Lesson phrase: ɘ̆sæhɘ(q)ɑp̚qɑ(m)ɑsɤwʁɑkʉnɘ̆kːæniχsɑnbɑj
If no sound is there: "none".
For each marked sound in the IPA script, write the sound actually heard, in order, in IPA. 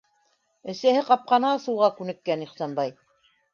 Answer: q, n

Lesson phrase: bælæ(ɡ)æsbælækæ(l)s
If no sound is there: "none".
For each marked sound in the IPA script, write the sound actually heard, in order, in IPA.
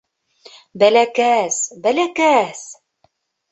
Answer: k, none

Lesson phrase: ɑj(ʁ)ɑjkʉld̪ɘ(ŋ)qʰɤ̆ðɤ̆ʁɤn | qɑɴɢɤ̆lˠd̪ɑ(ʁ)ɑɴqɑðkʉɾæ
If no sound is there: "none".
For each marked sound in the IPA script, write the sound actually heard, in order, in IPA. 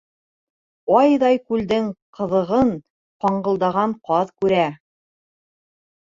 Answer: ð, ŋ, ʁ

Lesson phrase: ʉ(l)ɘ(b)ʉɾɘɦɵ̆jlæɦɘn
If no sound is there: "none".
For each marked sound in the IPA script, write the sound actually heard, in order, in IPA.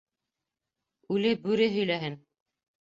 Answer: l, b

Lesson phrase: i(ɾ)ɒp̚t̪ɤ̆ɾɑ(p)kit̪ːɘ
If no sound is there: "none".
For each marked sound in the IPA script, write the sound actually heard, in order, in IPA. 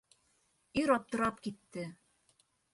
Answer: ɾ, p

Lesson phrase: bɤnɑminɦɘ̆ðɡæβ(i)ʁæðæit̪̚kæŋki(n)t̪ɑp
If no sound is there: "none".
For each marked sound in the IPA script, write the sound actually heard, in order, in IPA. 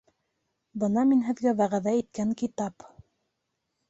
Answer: æ, none

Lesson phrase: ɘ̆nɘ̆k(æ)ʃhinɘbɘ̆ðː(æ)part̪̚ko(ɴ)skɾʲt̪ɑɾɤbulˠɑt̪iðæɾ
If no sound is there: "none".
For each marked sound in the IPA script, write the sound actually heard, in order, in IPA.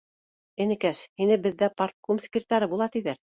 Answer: æ, æ, m

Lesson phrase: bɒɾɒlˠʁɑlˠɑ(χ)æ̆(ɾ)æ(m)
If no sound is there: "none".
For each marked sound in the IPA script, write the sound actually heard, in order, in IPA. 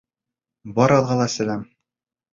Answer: s, l, m

